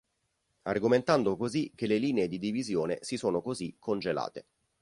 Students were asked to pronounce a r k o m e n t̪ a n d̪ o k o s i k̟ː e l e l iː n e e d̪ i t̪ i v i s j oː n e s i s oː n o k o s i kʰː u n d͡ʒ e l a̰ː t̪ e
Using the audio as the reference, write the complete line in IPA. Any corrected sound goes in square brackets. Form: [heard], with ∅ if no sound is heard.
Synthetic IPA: a r [ɡ] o m e n t̪ a n d̪ o k o [z] i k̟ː e l e l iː n e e d̪ i [d̪] i v i [z] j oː n e s i s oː n o k o [z] i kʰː [o] n d͡ʒ e l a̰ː t̪ e